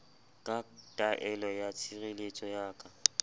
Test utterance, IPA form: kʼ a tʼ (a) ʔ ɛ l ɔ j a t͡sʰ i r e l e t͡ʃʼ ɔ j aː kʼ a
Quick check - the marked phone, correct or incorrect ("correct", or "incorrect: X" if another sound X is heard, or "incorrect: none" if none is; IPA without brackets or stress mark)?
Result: correct